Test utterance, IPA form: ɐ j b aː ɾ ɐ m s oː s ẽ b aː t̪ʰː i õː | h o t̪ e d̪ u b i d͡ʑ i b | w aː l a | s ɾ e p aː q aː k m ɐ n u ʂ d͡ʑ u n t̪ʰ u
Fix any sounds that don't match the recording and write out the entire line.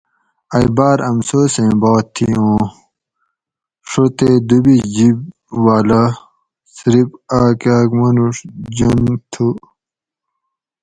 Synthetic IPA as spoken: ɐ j b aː ɾ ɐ m s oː s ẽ b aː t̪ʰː i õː | ʂ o t̪ e d̪ u b i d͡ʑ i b | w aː l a | s ɾ i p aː k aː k m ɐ n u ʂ d͡ʑ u n t̪ʰ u